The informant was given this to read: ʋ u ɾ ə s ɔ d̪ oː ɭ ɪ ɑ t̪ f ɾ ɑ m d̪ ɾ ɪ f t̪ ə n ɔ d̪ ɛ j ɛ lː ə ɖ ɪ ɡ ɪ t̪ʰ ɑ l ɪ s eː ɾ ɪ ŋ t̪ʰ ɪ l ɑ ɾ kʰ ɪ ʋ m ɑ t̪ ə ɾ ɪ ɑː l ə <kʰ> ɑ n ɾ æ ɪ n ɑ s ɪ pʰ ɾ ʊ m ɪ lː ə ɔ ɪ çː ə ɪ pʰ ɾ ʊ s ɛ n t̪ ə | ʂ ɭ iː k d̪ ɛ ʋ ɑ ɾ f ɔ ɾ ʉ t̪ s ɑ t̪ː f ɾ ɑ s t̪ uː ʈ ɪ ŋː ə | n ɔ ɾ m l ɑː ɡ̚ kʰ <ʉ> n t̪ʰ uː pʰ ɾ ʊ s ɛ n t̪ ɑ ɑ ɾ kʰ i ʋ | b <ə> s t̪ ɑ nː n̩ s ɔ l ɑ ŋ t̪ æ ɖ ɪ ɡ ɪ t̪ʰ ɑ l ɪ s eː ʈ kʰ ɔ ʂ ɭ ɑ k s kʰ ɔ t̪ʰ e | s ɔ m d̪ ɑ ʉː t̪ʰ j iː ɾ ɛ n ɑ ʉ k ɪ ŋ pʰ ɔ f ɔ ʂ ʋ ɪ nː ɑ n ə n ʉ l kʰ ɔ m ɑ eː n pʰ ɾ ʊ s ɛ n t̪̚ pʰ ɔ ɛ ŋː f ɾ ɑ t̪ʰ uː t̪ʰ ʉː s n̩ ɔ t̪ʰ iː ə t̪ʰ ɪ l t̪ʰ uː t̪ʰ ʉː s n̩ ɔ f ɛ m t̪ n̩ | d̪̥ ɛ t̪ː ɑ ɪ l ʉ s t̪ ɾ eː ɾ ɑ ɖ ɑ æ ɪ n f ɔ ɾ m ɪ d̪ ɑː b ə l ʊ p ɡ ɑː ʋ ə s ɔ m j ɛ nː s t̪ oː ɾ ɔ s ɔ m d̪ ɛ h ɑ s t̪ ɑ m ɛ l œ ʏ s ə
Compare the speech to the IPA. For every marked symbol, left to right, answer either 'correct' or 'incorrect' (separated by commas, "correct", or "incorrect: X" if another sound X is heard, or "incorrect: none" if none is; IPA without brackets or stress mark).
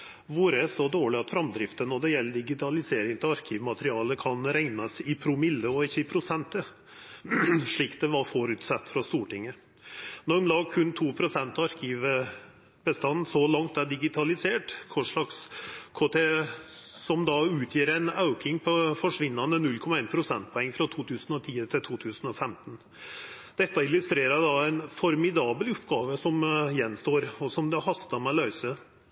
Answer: correct, correct, correct